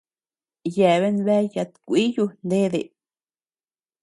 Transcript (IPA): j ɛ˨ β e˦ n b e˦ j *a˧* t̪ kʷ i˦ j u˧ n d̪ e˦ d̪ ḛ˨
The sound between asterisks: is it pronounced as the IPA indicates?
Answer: yes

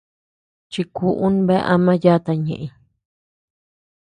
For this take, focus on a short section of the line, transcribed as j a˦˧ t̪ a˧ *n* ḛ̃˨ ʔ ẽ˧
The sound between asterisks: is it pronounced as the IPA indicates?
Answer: no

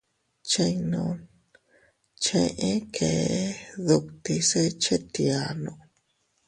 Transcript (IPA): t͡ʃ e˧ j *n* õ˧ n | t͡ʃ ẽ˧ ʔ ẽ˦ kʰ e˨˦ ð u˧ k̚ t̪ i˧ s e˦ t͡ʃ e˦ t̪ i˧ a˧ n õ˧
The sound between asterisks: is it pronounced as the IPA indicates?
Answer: yes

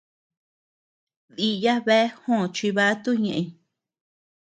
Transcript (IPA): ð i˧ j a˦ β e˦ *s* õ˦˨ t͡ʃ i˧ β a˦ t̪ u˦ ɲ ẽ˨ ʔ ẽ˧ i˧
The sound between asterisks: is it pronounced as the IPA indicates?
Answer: no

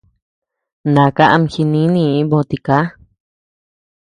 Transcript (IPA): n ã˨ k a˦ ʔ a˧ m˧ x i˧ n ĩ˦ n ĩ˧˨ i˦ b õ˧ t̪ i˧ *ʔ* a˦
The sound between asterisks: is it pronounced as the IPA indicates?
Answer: no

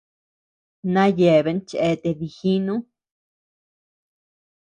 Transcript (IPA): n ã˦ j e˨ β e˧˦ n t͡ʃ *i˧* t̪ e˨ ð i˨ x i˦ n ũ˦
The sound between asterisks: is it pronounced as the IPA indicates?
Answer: no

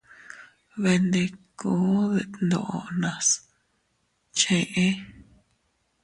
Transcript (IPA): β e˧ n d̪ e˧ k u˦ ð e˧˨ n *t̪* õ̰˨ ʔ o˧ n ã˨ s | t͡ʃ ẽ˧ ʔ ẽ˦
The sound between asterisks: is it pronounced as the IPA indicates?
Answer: no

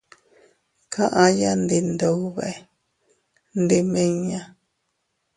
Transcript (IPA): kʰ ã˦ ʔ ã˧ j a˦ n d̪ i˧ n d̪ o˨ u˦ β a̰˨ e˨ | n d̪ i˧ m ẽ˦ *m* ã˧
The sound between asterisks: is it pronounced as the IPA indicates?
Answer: no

